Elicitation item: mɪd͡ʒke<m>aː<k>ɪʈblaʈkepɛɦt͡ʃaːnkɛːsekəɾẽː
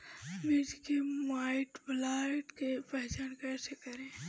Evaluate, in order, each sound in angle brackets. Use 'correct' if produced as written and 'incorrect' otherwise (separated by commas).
correct, incorrect